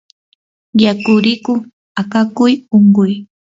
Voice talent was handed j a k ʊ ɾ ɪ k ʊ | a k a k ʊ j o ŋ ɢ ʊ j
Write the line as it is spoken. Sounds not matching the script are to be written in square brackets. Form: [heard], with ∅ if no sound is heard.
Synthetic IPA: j a k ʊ ɾ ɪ k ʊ | a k a k ʊ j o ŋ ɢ ʊ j